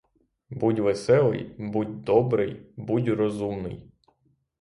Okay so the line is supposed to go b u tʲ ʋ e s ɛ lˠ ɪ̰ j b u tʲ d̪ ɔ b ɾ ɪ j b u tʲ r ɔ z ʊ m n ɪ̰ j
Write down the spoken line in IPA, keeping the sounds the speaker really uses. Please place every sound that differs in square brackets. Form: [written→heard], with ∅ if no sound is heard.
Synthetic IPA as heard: b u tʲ ʋ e s ɛ lˠ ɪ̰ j b u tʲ d̪ ɔ b ɾ ɪ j b u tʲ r ɔ z [ʊ→u] m n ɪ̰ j